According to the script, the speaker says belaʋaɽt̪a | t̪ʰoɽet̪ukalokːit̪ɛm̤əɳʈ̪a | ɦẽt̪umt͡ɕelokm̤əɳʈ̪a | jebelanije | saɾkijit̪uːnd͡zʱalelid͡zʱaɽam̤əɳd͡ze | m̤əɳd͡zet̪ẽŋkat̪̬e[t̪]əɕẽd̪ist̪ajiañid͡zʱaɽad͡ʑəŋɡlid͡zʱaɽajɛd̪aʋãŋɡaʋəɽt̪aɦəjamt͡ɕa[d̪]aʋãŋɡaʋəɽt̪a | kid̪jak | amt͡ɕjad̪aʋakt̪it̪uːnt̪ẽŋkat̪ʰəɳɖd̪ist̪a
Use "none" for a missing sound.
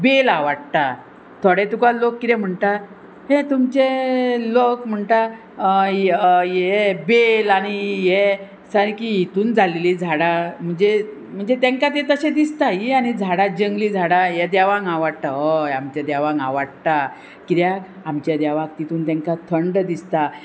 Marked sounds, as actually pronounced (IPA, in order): t̪, d̪

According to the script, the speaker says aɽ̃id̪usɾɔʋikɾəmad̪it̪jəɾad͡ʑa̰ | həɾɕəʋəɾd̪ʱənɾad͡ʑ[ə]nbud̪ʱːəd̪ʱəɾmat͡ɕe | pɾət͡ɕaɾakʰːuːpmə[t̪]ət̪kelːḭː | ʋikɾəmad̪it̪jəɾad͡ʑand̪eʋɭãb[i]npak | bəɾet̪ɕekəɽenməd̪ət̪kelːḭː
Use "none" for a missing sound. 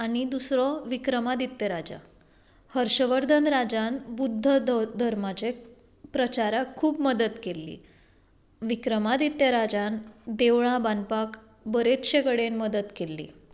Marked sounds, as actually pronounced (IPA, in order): a, d̪, a

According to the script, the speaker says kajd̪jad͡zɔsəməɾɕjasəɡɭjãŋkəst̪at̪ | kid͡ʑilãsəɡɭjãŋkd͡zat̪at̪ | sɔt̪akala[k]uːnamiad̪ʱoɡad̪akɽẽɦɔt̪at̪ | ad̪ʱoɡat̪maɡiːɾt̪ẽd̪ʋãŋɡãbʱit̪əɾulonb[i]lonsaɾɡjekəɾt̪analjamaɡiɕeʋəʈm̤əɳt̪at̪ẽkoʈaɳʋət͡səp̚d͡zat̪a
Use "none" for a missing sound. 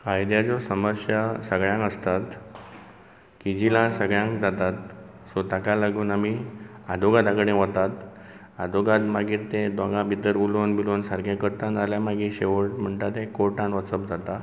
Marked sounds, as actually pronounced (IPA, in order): ɡ, i

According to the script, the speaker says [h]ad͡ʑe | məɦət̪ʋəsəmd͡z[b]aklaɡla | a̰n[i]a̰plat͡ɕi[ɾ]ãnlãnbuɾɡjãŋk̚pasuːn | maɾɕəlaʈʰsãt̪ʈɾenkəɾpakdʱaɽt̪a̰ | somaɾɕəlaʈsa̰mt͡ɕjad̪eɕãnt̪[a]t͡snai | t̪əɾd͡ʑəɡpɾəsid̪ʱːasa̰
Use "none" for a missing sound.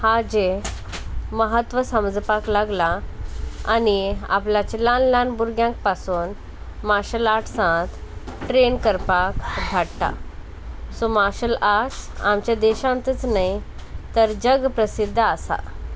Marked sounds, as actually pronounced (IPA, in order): h, p, i, l, ə

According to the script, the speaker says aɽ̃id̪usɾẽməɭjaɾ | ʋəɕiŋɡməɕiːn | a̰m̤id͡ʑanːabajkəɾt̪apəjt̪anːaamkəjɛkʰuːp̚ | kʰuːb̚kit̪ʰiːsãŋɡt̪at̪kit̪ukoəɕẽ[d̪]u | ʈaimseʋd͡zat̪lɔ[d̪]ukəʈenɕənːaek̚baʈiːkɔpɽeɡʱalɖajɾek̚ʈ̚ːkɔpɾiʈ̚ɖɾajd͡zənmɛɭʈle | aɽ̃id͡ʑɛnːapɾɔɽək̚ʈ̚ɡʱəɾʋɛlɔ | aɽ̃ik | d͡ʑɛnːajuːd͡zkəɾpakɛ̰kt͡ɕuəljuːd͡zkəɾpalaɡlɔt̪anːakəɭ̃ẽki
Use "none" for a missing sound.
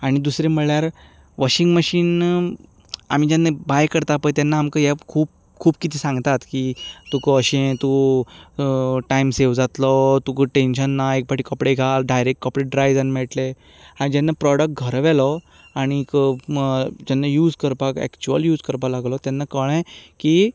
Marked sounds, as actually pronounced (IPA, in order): t̪, t̪

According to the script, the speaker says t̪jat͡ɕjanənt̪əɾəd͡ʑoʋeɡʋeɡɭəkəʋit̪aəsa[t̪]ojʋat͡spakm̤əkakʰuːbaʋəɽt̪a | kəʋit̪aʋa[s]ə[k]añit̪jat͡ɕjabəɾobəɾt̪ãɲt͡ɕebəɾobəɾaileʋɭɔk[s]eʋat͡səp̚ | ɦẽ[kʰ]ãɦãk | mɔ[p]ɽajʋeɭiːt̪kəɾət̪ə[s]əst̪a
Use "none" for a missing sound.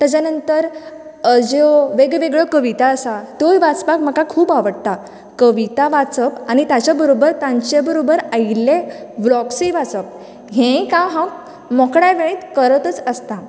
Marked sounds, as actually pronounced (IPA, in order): t̪, t͡s, p, s, k, k, t͡s

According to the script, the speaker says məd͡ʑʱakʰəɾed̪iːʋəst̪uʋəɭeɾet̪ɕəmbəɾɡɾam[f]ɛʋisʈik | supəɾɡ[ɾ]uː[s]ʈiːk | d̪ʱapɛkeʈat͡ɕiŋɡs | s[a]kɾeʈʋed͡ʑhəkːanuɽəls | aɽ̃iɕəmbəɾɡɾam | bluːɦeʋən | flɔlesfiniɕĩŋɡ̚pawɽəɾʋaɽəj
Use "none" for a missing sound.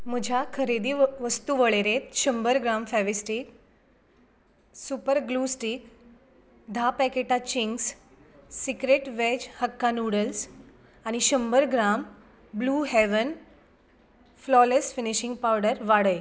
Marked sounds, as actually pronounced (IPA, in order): f, l, s, i

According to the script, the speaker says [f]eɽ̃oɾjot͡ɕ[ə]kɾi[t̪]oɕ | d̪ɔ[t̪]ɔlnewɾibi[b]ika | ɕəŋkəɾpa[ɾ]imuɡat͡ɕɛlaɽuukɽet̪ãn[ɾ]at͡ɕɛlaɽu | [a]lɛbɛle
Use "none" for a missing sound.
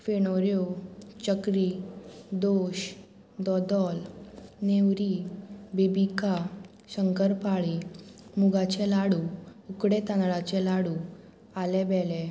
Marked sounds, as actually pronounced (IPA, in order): f, ə, d̪, d̪, b, ɭ, ɭ, a

